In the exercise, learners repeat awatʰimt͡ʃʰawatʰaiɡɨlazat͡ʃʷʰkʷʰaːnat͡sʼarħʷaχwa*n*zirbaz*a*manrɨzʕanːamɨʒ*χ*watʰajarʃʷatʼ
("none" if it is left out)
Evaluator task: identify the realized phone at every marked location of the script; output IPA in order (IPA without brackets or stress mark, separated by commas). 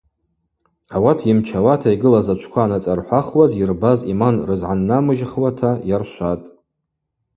none, i, χ